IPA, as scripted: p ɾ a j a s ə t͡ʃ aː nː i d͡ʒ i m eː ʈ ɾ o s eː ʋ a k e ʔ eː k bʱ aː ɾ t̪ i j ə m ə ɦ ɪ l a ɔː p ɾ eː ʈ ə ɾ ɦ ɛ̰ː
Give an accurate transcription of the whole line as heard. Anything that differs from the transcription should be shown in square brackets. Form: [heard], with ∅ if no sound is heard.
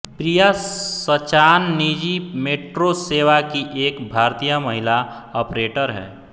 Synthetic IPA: p ɾ [i] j a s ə t͡ʃ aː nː i d͡ʒ i m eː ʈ ɾ o s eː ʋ a k [i] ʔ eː k bʱ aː ɾ t̪ i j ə m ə ɦ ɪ l a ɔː p ɾ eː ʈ ə ɾ ɦ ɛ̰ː

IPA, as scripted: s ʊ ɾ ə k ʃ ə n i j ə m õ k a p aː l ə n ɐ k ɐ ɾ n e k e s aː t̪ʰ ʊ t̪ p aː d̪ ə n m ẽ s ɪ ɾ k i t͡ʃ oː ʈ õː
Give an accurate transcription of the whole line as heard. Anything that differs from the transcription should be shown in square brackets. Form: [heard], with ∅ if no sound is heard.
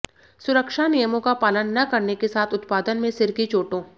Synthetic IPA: s ʊ ɾ ə k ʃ [a] n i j ə m õ k a p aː l ə [nː] ɐ k ɐ ɾ n e k e s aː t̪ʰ ʊ t̪ p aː d̪ ə n m ẽ s ɪ ɾ k i t͡ʃ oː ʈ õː

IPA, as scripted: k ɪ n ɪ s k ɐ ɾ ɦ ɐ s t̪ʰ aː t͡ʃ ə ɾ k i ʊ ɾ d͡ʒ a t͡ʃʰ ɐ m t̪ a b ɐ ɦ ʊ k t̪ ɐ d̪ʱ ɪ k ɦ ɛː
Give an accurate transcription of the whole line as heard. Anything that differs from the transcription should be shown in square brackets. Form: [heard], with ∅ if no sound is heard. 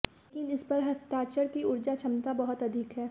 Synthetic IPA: k ɪ n ɪ s [p] ɐ ɾ ɦ ɐ s [t̪] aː t͡ʃ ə ɾ k i ʊ ɾ d͡ʒ a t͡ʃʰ ɐ m t̪ a b ɐ ɦ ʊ [∅] t̪ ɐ d̪ʱ ɪ k ɦ ɛː

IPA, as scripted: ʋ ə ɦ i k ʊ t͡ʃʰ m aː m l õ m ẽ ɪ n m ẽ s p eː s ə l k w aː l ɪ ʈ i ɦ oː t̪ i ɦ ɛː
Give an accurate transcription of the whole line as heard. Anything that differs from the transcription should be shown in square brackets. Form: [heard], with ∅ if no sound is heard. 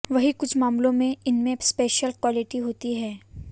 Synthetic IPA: ʋ [ɐ] ɦ i k ʊ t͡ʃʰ m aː m l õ m ẽ ɪ n m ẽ s p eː [ʃ] ə l k w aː l ɪ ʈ i ɦ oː t̪ i ɦ ɛː

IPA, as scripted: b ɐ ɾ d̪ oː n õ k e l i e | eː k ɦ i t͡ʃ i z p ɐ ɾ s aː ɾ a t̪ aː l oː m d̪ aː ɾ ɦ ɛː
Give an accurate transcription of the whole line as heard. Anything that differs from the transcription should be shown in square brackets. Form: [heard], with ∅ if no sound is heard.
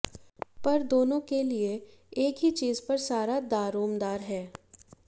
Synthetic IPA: [p] ɐ ɾ d̪ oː n õ k e l i e | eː k ɦ i t͡ʃ [iː] z p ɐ ɾ s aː ɾ a [d̪] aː [ɾ] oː m d̪ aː ɾ ɦ ɛː

